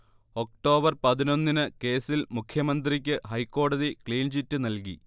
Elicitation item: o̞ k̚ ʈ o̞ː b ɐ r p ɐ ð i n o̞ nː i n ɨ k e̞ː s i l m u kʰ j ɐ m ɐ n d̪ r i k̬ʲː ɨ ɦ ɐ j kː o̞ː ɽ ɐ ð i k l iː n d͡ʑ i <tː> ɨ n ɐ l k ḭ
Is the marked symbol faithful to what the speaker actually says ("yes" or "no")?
yes